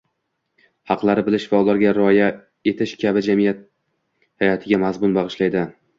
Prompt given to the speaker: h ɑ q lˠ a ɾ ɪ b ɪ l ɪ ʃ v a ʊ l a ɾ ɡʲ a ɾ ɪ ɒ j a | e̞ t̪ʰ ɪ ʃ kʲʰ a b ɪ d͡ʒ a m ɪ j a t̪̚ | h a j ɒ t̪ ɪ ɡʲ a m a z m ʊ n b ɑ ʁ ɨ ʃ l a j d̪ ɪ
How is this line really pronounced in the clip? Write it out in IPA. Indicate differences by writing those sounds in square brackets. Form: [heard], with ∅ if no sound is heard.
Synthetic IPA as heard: h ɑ q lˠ a ɾ ɪ b ɪ l ɪ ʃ v a ʊ l a ɾ ɡʲ a ɾ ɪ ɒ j a | e̞ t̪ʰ ɪ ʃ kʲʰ a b ɪ d͡ʒ a m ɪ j a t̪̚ | h a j ɒ [t̪ʰ] ɪ ɡʲ a m a z m ʊ n b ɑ ʁ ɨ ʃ l a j d̪ ɪ

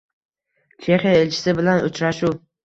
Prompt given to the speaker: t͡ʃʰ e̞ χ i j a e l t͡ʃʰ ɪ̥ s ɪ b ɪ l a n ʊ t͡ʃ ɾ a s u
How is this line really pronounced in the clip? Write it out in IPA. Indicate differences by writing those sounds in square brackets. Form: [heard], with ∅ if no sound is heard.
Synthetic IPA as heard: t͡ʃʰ e̞ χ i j a e l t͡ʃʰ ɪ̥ s ɪ b ɪ l a n ʊ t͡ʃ ɾ a [ʃ] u

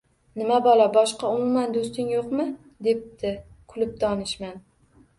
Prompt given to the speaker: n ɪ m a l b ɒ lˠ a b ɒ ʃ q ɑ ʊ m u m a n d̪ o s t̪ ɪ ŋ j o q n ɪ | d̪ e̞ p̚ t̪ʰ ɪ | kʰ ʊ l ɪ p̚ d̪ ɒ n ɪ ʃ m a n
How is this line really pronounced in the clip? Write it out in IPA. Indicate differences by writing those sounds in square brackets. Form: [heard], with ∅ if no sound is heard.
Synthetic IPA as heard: n ɪ m a [∅] b ɒ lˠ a b ɒ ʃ q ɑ ʊ m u m a n d̪ o s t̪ ɪ ŋ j o q [m] ɪ | d̪ e̞ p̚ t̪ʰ ɪ | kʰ ʊ l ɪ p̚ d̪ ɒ n ɪ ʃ m a n

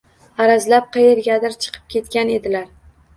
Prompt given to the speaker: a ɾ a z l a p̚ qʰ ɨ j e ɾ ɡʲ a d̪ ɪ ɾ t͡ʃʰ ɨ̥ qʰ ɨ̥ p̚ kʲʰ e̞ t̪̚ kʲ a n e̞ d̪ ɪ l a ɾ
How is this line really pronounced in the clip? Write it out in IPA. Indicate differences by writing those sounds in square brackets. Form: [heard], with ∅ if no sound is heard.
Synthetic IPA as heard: a ɾ a z l a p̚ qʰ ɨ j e ɾ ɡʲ a d̪ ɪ ɾ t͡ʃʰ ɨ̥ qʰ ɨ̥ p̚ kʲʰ e̞ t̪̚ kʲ a n e̞ d̪ ɪ l a ɾ

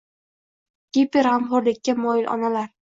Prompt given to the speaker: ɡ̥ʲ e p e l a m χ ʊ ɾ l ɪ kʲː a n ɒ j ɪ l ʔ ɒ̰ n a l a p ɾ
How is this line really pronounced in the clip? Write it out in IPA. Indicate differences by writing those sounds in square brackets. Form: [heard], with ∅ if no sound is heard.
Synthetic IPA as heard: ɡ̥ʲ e p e [ɾ] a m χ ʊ ɾ l ɪ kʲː a [m] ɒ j ɪ l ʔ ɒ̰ n a l a [∅] ɾ

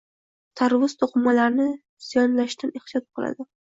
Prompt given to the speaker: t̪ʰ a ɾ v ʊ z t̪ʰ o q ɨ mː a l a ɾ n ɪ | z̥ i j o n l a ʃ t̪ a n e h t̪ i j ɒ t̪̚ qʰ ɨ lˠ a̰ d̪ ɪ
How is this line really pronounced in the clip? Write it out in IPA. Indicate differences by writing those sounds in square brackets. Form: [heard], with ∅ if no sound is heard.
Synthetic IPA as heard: t̪ʰ a ɾ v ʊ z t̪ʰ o q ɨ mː a l a ɾ n ɪ | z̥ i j [ɒ] n l a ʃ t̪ a n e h t̪ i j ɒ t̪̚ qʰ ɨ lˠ a̰ d̪ ɪ

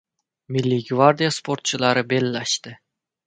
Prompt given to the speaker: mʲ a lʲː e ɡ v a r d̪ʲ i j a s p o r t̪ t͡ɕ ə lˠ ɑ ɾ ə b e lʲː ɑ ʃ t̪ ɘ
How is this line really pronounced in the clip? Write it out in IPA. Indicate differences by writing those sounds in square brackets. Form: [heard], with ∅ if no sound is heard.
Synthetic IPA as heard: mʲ [i] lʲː [i] ɡ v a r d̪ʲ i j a s p o r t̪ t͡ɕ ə lˠ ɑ ɾ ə b e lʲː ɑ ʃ t̪ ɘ

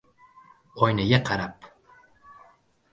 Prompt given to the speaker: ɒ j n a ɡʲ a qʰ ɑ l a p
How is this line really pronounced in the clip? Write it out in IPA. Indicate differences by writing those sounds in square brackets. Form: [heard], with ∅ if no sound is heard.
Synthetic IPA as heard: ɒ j n a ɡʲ a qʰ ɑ [ɾ] a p

